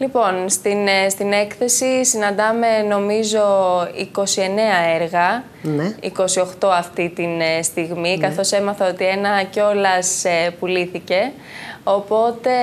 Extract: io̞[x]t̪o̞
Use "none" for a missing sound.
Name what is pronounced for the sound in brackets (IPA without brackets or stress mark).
x